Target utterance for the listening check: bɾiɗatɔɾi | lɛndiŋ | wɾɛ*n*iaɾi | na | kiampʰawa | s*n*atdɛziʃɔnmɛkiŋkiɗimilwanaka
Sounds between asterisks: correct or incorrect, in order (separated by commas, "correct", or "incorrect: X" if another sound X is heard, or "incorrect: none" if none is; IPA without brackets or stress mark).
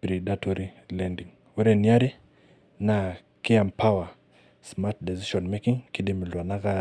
correct, incorrect: m